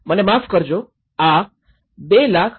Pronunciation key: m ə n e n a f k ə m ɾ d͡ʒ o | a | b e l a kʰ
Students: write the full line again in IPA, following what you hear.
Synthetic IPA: m ə n e m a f k ə ɾ d͡ʒ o | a | b e l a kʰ